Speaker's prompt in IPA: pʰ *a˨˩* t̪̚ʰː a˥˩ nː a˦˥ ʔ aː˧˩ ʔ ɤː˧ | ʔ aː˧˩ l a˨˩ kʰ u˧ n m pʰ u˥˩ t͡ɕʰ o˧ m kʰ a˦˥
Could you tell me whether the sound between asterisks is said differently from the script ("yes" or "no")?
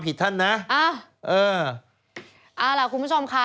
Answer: yes